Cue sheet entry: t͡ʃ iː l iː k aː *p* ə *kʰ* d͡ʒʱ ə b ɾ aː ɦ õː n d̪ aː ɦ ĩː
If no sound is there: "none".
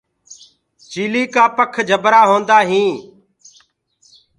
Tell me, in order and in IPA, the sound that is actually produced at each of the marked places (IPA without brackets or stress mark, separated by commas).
p, kʰ